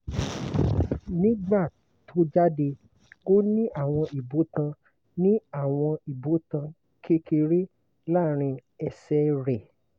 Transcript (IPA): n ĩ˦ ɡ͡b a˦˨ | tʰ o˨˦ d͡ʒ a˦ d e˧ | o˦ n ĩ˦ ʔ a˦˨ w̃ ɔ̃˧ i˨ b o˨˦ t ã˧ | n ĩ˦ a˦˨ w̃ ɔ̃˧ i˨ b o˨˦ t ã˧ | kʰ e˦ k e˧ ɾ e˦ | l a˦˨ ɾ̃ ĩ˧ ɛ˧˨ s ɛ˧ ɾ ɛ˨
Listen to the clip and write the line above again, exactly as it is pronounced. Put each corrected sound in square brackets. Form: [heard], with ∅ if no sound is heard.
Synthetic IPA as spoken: n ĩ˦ ɡ͡b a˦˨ | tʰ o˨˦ d͡ʒ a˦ d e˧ | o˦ n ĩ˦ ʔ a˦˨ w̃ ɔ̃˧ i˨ b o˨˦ t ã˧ | n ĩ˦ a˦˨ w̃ ɔ̃˧ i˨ b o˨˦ t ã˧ | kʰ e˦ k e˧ ɾ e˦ | l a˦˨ ɾ̃ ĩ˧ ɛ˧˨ s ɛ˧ ɾ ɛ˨

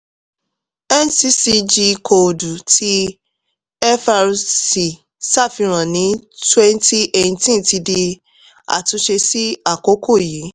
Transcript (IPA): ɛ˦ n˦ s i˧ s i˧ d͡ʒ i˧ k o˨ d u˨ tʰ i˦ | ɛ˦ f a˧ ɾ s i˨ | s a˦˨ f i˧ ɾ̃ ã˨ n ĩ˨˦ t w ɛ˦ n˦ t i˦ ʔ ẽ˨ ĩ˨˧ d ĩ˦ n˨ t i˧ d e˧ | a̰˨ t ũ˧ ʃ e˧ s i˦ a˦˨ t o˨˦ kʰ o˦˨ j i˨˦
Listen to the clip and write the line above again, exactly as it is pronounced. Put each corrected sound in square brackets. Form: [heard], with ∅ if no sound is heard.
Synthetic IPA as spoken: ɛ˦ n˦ s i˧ s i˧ d͡ʒ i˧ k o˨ d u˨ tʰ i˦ | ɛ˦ f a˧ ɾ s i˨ | s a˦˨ f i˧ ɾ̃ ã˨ n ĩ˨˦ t w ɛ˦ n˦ t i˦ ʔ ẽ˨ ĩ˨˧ [t] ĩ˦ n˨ t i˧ d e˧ | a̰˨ t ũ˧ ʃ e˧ s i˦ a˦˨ [k] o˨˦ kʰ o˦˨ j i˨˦

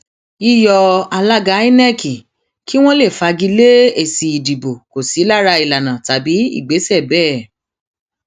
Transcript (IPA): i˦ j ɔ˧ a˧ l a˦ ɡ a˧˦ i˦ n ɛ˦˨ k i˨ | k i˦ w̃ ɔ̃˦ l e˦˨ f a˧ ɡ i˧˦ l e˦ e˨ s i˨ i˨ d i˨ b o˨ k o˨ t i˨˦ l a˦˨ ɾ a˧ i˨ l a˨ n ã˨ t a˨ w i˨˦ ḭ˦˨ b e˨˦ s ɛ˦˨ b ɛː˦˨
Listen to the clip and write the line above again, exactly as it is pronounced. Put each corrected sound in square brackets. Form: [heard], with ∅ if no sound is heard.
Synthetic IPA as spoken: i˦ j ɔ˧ a˧ l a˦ ɡ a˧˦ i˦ n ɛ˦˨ k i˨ | k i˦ w̃ ɔ̃˦ l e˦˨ f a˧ ɡ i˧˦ l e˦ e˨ s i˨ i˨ d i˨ b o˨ k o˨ [s] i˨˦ l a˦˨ ɾ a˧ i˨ l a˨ n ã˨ t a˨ [b] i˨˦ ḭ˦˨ [ɡ͡b] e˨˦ s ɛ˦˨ b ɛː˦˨

